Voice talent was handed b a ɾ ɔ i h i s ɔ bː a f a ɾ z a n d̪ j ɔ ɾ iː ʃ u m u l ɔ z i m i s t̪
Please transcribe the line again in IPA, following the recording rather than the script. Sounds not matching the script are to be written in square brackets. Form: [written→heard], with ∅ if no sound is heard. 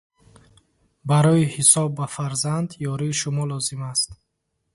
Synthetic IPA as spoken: b a ɾ ɔ i h i s ɔ bː a f a ɾ z a n d̪ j ɔ ɾ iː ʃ u m [u→ɔ] l ɔ z i m [i→a] s t̪